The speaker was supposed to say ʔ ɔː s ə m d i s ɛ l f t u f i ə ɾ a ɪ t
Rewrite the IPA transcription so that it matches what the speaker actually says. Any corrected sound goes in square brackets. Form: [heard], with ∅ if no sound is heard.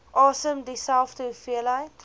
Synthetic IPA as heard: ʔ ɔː s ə m d i s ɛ l f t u f i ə [l] a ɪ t